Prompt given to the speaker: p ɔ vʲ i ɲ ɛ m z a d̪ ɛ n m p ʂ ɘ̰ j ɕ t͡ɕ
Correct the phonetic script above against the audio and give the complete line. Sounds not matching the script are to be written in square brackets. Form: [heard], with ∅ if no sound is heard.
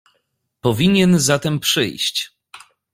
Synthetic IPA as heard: p ɔ vʲ i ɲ ɛ [n] z a [t̪] ɛ [∅] m p ʂ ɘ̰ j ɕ t͡ɕ